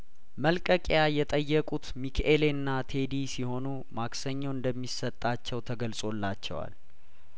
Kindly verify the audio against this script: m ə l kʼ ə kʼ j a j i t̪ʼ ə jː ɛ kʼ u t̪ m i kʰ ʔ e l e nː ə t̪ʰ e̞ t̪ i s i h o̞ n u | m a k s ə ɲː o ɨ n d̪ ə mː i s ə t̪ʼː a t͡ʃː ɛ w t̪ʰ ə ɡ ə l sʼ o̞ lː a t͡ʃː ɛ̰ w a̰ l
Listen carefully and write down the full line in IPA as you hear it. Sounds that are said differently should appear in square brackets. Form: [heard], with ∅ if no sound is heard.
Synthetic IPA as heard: m ə l kʼ ə kʼ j a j [ɛ] t̪ʼ ə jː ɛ kʼ u t̪ m i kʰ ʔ e l e nː [a] t̪ʰ e̞ [d̪] i s i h o̞ n u | m a k s ə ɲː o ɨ n d̪ ə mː i s ə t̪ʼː a t͡ʃː ɛ w t̪ʰ ə ɡ ə l sʼ o̞ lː a t͡ʃː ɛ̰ w a̰ l